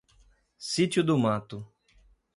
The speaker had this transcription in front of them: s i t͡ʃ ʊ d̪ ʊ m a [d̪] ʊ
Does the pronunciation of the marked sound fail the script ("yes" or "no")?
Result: yes